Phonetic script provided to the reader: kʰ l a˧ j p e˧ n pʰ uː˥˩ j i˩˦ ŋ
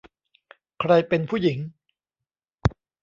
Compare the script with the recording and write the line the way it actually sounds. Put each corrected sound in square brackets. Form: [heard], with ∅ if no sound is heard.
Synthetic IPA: kʰ [ɾ] a˧ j p e˧ n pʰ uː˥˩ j i˩˦ ŋ

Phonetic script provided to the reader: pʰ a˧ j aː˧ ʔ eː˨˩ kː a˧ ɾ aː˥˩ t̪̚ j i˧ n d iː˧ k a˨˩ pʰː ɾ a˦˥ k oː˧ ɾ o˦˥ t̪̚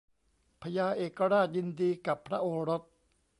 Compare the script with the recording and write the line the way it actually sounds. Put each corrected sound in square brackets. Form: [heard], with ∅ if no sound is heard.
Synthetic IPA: pʰ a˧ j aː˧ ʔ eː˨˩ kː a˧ ɾ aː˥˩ t̪̚ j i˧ n d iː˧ k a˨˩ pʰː ɾ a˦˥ [ʔ] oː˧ ɾ o˦˥ t̪̚

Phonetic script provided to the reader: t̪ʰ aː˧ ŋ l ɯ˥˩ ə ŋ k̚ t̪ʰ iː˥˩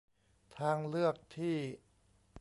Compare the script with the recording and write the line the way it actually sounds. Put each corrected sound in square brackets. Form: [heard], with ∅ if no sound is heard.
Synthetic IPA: t̪ʰ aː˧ ŋ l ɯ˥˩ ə [∅] k̚ t̪ʰ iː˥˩

